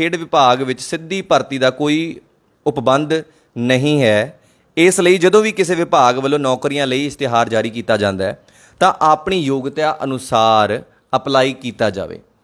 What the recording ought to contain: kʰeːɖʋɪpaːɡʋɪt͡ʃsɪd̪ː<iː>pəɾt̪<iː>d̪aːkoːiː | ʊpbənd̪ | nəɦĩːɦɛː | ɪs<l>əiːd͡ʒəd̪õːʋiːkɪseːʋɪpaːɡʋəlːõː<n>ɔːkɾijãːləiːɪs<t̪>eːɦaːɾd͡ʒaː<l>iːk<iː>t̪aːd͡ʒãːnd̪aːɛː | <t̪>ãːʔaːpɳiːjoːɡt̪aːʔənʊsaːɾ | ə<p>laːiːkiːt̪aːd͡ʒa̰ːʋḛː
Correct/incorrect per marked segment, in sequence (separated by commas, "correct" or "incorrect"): correct, correct, correct, correct, correct, incorrect, correct, correct, correct